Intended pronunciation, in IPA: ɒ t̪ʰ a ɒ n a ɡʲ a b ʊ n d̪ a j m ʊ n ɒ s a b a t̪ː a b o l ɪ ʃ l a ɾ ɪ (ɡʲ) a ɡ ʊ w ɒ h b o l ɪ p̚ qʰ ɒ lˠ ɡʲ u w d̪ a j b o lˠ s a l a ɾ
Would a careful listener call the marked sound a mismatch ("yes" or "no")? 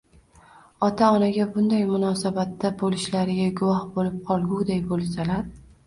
no